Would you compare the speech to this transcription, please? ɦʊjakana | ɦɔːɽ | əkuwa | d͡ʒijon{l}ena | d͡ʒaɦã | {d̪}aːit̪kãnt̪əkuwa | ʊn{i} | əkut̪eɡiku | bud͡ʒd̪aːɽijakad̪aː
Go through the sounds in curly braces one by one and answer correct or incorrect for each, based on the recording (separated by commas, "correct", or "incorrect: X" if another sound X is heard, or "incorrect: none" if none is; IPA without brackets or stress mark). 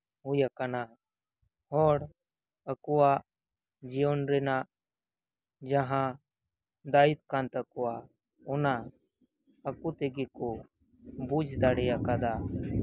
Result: incorrect: ɾ, correct, incorrect: a